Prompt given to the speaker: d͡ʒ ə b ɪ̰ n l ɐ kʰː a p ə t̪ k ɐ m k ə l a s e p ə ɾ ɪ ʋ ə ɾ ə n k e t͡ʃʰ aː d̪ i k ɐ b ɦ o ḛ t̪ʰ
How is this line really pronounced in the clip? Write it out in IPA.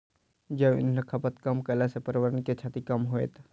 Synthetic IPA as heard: d͡ʒ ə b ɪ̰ n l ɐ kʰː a p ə t̪ k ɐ m k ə l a s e p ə ɾ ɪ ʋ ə ɾ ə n k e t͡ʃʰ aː t̪ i k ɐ m ɦ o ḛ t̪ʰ